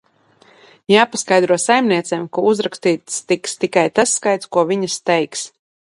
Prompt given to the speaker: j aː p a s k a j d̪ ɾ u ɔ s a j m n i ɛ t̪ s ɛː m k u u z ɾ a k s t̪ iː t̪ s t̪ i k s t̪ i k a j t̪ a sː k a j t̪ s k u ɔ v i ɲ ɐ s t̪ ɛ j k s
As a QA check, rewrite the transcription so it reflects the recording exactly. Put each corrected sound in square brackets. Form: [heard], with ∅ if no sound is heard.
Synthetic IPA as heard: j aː p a s k a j d̪ ɾ u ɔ s a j m n i ɛ t̪ s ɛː m k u u z ɾ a k s t̪ iː t̪ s t̪ i k s t̪ i k a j t̪ a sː k a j t̪ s k u ɔ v i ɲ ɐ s t̪ ɛ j k s